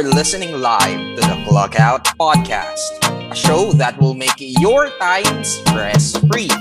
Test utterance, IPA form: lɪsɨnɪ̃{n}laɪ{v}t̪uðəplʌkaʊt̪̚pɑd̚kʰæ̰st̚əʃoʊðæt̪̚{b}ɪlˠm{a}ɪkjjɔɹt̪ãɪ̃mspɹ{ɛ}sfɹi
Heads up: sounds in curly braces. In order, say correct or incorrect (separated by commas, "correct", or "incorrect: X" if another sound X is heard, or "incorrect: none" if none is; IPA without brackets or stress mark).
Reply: incorrect: ŋ, correct, incorrect: w, incorrect: e, correct